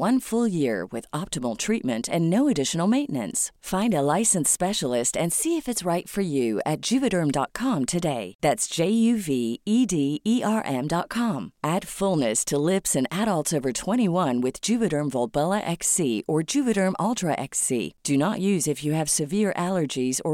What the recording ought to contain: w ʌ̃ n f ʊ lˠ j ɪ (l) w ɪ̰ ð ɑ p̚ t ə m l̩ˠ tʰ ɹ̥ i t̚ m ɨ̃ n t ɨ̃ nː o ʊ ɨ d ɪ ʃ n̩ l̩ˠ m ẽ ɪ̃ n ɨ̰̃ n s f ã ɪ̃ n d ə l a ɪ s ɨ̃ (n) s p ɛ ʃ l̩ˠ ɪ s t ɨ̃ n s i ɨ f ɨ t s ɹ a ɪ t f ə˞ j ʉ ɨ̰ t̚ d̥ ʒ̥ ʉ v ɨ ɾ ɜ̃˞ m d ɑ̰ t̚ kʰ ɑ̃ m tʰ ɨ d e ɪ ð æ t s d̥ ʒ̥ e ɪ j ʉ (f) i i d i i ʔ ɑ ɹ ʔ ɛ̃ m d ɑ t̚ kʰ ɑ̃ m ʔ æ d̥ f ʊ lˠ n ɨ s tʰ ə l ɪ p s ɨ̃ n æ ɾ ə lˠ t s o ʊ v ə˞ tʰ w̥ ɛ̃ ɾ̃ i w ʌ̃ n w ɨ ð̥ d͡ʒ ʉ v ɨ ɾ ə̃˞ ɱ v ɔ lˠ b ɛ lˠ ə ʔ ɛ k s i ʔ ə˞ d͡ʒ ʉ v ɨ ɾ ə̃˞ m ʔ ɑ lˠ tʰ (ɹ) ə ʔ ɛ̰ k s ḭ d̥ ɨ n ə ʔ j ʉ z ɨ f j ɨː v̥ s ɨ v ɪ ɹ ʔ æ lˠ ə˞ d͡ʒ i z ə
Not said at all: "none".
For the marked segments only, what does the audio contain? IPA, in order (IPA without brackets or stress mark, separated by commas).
ɹ, n, v, ɹ